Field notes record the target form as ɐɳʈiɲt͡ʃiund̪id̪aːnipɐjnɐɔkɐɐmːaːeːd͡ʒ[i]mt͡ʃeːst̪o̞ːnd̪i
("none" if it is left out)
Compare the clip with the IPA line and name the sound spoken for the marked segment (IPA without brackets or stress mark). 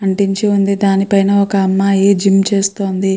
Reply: i